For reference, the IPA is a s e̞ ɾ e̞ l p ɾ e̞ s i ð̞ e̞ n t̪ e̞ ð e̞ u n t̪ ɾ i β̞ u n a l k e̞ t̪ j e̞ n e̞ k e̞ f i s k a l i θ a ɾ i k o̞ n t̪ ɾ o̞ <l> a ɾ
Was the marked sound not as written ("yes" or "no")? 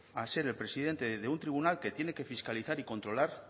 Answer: no